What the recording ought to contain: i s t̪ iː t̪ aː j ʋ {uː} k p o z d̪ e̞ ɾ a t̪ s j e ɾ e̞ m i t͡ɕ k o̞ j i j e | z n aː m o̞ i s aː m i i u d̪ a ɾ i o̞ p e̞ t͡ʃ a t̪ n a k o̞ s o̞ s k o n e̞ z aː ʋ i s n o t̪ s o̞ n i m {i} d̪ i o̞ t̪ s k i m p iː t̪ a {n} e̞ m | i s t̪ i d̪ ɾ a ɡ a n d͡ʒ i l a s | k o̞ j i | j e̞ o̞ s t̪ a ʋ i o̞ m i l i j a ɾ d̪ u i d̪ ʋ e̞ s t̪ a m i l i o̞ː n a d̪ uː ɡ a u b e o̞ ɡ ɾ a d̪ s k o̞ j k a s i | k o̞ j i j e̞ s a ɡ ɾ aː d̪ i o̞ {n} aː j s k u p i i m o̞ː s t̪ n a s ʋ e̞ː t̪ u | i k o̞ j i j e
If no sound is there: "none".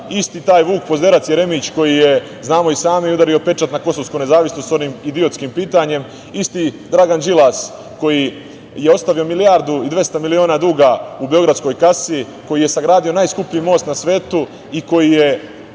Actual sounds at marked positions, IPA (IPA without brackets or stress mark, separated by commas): uː, i, ɲ, n